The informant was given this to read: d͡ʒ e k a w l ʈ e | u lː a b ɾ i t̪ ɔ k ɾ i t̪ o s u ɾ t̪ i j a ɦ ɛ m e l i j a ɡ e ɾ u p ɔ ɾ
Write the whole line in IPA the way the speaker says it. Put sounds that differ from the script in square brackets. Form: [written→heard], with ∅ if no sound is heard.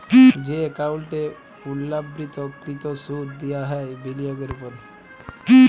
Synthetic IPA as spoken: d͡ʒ e k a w l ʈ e | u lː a b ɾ i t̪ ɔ k ɾ i t̪ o s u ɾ [t̪→d̪] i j a ɦ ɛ [m→b] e l i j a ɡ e ɾ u p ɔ ɾ